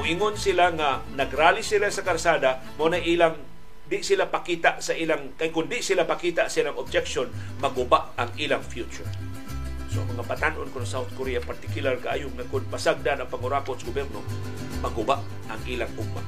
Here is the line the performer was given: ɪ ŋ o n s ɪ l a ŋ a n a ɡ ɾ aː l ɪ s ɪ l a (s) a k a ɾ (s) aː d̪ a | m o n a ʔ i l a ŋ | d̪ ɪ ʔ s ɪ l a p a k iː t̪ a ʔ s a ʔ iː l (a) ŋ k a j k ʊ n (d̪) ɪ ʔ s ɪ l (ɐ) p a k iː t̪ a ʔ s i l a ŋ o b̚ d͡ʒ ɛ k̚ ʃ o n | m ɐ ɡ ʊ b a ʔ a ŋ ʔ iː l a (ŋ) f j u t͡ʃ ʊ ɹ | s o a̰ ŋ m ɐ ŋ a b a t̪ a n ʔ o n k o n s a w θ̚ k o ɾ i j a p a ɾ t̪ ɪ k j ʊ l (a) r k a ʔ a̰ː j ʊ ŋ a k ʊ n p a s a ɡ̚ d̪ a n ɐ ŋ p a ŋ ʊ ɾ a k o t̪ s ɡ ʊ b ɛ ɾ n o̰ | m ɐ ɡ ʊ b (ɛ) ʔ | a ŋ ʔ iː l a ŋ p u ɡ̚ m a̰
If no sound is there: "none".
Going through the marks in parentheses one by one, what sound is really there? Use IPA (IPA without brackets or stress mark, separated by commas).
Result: s, s, a, d̪, a, ŋ, a, a